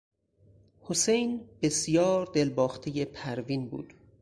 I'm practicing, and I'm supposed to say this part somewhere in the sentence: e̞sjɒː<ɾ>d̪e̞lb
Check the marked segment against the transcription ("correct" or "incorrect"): correct